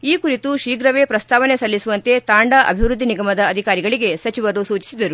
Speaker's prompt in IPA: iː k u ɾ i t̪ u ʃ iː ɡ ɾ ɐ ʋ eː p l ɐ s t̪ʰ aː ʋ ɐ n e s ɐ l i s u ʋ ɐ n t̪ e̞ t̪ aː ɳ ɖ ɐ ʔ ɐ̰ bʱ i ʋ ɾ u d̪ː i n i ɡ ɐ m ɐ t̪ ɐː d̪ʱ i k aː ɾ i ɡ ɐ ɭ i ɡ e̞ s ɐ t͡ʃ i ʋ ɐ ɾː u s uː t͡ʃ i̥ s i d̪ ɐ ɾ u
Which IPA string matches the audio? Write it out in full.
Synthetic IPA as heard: iː k u ɾ i t̪ u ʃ iː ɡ ɾ ɐ ʋ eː p ɾ ɐ s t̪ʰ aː ʋ ɐ n e s ɐ lː i s u ʋ ɐ n t̪ e̞ t̪ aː ɳ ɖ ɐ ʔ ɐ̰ bʱ i ʋ ɾ u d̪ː i n i ɡ ɐ m ɐ d̪ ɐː d̪ʱ i k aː ɾ i ɡ ɐ ɭ i ɡ e̞ s ɐ t͡ʃ i ʋ ɐ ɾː u s uː t͡ʃ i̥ s i d̪ ɐ ɾ u